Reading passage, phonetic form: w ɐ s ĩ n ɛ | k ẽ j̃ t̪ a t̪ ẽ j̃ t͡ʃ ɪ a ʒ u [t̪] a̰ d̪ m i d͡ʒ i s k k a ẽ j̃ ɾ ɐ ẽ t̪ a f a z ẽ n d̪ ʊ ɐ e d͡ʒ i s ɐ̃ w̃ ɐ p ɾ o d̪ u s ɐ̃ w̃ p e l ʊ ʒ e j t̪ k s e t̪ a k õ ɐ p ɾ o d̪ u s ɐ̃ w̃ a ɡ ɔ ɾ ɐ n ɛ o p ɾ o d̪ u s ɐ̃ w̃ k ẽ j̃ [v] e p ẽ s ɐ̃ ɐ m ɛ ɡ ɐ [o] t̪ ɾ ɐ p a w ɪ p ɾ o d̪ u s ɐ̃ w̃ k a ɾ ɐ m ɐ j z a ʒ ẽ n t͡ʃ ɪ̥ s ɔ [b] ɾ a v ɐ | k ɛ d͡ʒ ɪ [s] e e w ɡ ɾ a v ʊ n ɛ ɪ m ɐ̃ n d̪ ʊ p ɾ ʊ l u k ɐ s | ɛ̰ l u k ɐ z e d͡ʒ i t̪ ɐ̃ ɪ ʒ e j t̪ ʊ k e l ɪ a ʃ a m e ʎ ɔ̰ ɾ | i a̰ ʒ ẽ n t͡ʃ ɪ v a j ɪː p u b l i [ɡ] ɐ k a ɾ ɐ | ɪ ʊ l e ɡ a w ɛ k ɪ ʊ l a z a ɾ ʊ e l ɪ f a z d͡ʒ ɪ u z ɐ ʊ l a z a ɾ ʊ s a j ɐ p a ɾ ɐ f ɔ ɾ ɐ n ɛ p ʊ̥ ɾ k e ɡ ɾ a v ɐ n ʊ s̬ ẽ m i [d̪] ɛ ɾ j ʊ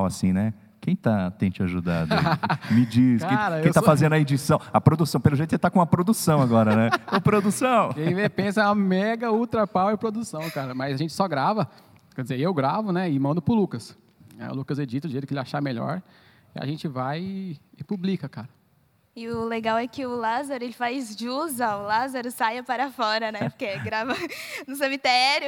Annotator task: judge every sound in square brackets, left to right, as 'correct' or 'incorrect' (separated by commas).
incorrect, correct, incorrect, incorrect, incorrect, incorrect, incorrect